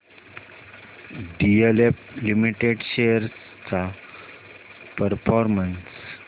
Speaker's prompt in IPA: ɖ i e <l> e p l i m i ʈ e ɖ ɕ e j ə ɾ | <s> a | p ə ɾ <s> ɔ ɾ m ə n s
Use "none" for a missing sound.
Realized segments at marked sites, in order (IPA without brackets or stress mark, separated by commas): l, t͡s, f